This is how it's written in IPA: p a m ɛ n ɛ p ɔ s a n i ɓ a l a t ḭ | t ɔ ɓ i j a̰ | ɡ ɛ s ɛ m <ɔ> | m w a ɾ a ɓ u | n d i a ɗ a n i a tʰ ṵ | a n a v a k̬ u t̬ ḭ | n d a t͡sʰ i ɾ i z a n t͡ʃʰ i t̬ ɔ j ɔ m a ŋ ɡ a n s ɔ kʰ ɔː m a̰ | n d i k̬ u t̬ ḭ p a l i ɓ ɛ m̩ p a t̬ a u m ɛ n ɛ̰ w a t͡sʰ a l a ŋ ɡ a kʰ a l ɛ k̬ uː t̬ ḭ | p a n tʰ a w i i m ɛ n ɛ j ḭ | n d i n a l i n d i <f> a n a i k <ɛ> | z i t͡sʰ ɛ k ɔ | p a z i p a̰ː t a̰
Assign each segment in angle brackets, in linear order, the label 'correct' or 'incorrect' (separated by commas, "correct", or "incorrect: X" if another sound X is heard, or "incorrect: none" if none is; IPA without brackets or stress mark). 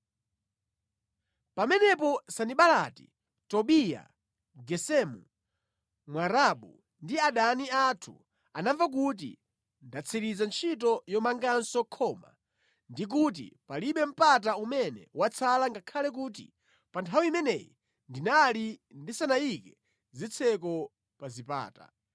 incorrect: u, incorrect: s, correct